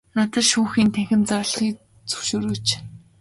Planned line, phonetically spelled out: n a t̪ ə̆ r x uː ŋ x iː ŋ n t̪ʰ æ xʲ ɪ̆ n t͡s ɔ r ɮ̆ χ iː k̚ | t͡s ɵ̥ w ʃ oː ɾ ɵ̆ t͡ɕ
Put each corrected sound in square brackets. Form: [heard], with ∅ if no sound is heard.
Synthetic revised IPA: n a t̪ ə̆ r [ʃ] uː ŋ x iː [∅] n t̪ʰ æ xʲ ɪ̆ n t͡s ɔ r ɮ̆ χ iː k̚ | t͡s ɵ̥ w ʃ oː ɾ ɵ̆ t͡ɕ